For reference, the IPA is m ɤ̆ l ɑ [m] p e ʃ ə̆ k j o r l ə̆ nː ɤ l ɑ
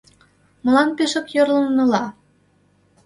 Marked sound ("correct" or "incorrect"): incorrect